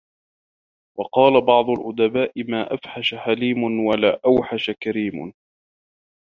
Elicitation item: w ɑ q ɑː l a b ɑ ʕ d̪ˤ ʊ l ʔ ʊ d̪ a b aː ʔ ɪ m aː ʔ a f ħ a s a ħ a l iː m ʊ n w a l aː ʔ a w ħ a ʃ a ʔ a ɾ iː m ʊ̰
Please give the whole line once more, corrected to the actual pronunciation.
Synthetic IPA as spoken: w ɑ q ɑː l a b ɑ ʕ d̪ˤ ʊ l ʔ ʊ d̪ a b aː ʔ ɪ m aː ʔ a f ħ a ʃ a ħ a l iː m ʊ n w a l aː ʔ a w ħ a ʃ a k a ɾ iː m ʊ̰